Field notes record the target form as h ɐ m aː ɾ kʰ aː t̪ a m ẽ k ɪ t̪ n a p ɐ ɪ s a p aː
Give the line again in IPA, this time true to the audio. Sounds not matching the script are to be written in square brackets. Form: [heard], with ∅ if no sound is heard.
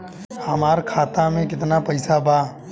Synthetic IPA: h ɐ m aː ɾ kʰ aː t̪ a m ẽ k ɪ t̪ n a p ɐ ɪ s a [b] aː